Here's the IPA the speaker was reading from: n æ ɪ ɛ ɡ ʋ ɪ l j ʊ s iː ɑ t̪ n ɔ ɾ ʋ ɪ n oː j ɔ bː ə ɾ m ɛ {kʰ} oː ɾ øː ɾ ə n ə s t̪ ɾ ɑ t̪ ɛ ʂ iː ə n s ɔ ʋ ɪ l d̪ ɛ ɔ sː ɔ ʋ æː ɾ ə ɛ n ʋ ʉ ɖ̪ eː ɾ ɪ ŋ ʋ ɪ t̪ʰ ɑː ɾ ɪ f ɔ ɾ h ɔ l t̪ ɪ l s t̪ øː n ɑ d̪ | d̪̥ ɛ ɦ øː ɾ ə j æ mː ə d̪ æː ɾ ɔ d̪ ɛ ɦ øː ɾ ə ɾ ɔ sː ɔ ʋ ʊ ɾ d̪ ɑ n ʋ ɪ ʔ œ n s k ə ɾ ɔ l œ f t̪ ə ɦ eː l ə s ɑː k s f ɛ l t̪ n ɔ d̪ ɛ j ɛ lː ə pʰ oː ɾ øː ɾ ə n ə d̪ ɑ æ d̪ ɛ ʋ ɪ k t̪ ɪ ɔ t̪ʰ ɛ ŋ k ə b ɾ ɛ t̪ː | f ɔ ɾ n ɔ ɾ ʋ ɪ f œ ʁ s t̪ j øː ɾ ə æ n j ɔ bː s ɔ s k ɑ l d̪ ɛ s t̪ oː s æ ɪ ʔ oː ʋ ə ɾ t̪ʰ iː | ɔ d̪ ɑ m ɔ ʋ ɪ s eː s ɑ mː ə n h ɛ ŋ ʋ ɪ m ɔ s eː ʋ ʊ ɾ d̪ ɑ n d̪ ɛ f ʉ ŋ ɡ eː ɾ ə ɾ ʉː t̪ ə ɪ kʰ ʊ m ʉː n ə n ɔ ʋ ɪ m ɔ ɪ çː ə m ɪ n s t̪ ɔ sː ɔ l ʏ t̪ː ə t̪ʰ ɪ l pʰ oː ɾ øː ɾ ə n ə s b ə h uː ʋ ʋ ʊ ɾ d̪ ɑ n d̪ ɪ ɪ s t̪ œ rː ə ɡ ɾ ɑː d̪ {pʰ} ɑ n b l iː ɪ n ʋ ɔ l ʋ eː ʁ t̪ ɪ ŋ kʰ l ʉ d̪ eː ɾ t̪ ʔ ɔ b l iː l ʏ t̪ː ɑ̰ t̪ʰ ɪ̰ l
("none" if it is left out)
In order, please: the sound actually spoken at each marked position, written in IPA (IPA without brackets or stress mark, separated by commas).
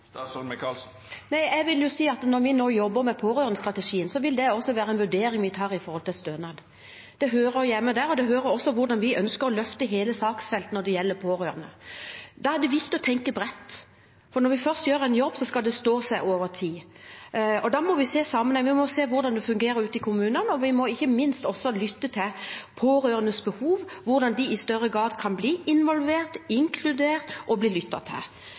pʰ, kʰ